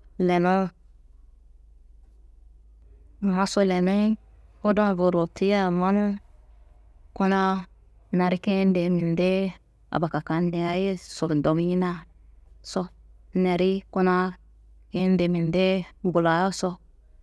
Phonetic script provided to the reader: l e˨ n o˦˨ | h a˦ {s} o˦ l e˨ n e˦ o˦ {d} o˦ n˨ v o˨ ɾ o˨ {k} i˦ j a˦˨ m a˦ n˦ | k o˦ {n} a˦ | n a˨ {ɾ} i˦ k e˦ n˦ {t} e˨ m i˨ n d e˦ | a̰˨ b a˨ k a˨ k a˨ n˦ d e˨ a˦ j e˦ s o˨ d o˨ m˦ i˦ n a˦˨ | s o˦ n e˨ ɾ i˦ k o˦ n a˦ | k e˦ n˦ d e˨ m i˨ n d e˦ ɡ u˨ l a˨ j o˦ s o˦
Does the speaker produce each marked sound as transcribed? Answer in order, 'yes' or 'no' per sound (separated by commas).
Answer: yes, yes, no, yes, yes, no